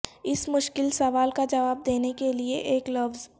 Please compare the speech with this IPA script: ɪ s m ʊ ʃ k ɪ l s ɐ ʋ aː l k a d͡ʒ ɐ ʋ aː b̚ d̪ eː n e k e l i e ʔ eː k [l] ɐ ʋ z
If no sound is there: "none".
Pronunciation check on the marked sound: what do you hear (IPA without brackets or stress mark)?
l